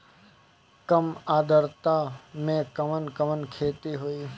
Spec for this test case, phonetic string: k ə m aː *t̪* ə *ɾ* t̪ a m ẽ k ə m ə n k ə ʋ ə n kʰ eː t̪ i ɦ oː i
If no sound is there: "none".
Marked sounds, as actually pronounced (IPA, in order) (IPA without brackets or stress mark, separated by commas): d̪, ɾ